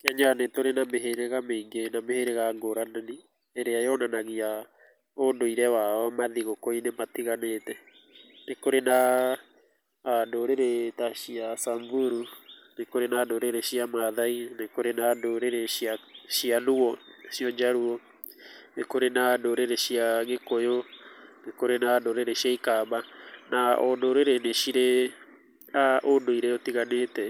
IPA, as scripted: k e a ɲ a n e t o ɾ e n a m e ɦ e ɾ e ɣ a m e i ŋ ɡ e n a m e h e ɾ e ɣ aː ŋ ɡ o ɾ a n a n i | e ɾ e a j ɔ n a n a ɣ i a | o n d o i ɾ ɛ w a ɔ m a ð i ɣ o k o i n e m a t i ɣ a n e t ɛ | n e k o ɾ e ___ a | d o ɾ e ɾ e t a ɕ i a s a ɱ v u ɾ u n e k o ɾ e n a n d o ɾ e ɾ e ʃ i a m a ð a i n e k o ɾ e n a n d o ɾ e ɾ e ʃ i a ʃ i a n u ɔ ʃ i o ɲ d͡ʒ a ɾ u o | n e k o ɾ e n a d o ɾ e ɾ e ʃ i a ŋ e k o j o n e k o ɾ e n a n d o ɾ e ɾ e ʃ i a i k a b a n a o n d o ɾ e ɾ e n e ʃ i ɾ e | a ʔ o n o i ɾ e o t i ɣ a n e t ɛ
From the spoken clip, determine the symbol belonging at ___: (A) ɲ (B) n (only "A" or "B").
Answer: B